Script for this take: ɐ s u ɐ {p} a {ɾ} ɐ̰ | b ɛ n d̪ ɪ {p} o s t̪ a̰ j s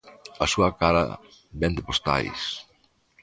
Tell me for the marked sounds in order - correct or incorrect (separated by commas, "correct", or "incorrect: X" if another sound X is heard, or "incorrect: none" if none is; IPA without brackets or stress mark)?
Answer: incorrect: k, correct, correct